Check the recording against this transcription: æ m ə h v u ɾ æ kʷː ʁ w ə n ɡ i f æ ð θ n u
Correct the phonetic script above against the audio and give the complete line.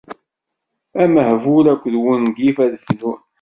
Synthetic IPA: æ m ə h v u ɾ æ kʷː ð w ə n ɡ i f æ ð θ n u